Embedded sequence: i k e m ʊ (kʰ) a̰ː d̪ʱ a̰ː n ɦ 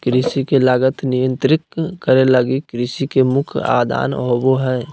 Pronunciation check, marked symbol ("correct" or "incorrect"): correct